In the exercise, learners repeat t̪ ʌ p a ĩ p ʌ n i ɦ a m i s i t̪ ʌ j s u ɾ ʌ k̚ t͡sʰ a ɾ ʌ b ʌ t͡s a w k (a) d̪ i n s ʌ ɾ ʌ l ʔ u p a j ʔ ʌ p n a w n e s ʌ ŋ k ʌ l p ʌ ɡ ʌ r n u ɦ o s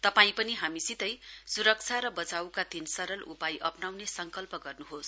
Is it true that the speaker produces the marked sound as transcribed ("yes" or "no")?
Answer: yes